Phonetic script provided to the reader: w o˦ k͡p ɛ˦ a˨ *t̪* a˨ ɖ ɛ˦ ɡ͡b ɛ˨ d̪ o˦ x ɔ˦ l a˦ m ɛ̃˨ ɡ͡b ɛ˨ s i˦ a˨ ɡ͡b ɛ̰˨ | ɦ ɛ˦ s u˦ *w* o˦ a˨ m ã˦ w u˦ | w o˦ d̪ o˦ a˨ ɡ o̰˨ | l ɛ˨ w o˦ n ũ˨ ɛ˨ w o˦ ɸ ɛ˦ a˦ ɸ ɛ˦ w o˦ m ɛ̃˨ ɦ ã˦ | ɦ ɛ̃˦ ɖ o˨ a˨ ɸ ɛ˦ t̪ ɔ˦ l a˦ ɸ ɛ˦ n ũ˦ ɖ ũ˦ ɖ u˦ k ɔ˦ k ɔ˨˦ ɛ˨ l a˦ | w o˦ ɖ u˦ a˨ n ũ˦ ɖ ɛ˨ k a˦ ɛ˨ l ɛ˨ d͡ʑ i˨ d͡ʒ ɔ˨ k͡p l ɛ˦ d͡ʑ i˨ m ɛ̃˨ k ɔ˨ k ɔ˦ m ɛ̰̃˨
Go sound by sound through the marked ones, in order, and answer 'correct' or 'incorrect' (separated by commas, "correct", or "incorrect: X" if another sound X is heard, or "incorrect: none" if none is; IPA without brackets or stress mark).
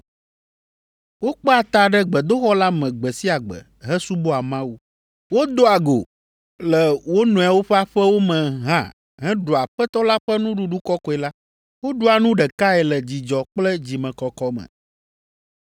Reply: correct, incorrect: b